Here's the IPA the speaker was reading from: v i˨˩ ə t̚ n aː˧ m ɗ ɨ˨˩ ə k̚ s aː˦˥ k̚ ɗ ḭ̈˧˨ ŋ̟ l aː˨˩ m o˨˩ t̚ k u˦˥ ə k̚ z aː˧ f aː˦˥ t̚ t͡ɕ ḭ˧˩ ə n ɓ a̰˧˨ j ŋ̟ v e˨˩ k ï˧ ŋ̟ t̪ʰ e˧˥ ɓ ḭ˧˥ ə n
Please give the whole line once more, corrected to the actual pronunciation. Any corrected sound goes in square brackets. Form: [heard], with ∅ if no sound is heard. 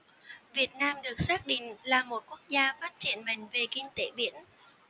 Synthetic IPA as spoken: v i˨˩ ə t̚ n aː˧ m ɗ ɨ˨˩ ə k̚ s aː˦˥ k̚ ɗ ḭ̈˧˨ ŋ̟ l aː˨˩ m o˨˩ t̚ k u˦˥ ə k̚ z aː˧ f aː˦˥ t̚ t͡ɕ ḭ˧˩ ə n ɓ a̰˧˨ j ŋ̟ v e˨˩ k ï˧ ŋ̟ [t̪] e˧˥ ɓ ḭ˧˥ ə n